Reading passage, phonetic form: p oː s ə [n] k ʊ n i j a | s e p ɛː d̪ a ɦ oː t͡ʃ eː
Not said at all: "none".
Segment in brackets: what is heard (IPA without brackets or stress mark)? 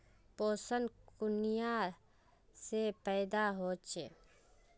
n